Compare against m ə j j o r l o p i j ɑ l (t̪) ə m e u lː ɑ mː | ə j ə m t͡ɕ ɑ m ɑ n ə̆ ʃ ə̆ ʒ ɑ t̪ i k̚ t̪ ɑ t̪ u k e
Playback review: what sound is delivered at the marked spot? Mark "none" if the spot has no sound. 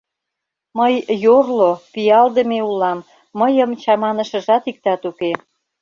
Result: d̪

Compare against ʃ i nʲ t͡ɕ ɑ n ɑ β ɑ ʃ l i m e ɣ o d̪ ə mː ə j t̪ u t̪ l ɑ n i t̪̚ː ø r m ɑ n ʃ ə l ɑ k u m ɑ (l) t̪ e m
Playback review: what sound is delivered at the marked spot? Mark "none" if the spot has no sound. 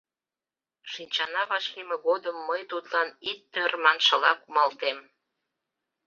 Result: l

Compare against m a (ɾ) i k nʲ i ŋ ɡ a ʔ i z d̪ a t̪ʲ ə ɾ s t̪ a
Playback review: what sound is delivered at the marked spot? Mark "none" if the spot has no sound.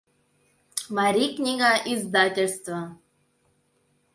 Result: ɾ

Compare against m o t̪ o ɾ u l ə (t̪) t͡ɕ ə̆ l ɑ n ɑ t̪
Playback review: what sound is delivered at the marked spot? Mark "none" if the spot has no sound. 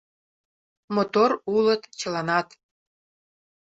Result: t̪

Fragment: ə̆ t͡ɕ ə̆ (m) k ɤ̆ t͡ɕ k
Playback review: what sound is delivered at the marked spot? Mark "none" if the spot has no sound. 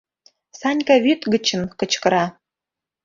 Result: n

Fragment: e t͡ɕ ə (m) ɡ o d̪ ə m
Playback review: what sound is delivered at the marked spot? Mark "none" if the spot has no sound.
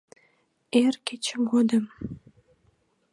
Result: m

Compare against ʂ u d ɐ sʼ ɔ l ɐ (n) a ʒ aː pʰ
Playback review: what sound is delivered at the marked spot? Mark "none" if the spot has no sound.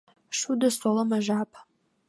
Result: m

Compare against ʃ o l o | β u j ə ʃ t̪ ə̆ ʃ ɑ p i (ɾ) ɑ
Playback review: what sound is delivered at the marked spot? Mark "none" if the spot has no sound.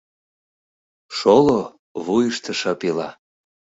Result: l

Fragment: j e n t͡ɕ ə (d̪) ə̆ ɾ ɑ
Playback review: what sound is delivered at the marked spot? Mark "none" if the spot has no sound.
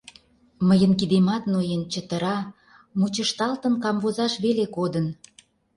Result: t̪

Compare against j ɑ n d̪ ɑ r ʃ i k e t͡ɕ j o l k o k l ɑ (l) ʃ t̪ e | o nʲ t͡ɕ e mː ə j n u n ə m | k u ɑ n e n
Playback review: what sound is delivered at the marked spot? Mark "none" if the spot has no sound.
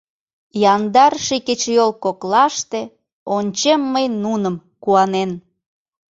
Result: none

